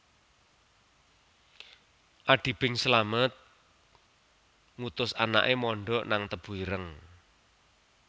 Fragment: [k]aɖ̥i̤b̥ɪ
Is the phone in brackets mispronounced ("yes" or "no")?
yes